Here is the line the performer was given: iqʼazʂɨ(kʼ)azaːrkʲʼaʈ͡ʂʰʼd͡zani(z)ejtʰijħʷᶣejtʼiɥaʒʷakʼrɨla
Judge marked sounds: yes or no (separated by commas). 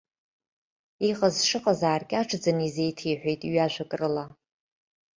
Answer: no, yes